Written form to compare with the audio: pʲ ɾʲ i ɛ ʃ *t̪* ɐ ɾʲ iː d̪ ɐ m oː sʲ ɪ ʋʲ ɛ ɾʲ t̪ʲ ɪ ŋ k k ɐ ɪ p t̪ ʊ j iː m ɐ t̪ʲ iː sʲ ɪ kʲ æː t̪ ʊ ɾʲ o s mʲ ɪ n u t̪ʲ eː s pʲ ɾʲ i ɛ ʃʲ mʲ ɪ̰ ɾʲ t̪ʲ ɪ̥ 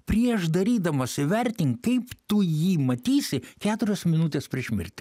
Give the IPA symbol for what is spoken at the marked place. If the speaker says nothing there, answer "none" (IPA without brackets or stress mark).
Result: d̪